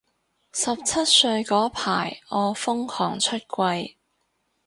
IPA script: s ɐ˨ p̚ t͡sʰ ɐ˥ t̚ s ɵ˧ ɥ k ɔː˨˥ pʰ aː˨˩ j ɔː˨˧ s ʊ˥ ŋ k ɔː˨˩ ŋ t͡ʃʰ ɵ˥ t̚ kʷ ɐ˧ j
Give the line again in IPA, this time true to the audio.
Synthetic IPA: s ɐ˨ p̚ t͡sʰ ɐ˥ t̚ s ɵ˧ ɥ k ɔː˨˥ pʰ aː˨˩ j ɔː˨˧ f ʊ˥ ŋ kʰ ɔː˨˩ ŋ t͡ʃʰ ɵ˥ t̚ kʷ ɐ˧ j